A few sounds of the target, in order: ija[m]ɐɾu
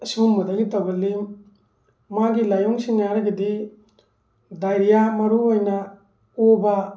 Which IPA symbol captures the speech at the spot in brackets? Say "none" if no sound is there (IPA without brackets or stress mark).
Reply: m